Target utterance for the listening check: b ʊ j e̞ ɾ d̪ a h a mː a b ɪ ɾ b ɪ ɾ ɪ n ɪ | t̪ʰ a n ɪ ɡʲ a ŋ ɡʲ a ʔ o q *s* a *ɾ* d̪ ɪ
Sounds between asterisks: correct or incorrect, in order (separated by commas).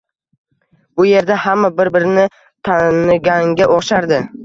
incorrect, correct